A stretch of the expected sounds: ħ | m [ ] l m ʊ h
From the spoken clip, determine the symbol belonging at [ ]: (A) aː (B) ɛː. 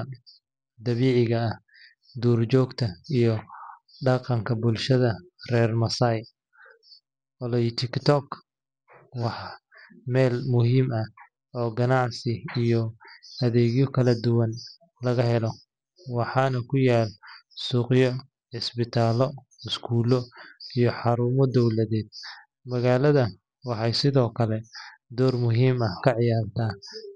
B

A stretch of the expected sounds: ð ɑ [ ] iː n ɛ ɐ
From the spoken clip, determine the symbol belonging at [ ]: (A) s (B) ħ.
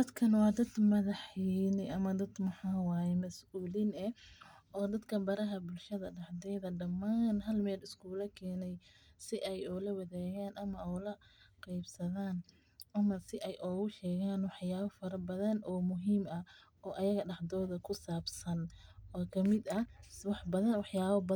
B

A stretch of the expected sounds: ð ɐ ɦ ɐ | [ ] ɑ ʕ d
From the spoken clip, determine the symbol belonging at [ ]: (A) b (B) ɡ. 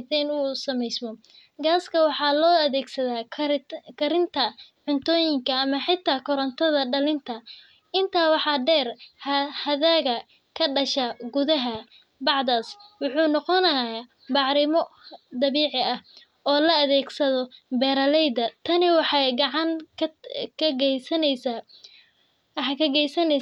A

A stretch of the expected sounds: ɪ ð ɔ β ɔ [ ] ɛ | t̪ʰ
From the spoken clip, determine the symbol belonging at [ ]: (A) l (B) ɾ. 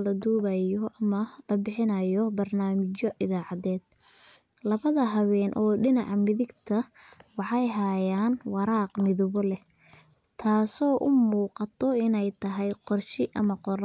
A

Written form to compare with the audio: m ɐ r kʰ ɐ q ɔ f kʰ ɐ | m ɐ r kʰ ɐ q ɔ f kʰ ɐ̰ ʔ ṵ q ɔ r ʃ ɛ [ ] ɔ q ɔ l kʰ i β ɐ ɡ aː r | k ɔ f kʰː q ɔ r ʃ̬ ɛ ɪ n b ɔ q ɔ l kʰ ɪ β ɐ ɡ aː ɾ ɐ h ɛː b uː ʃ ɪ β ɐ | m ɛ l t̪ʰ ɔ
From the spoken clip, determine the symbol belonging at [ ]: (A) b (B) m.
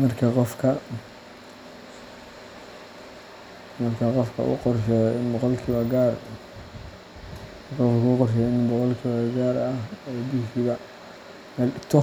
A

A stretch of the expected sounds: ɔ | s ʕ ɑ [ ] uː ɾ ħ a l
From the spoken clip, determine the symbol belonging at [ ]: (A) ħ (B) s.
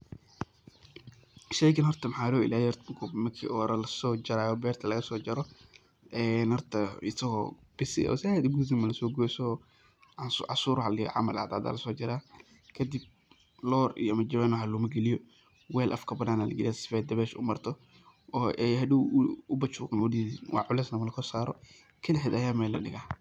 B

